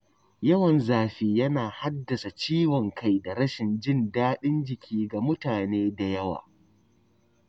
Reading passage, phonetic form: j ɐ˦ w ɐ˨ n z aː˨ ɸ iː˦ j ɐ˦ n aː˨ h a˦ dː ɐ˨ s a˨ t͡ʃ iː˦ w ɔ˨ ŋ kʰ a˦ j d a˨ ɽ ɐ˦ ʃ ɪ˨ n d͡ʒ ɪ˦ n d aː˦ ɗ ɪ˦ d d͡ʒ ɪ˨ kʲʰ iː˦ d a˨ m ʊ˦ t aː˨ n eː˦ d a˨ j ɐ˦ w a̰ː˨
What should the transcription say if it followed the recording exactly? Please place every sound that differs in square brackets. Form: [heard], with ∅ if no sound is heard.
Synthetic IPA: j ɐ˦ w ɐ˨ n z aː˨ ɸ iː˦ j ɐ˦ n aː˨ h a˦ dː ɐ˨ s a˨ t͡ʃ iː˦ w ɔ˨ ŋ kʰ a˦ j d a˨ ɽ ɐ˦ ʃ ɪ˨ n d͡ʒ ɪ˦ n d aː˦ ɗ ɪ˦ [n] d͡ʒ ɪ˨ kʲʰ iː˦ [ɡ] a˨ m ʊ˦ t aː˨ n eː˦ d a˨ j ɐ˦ w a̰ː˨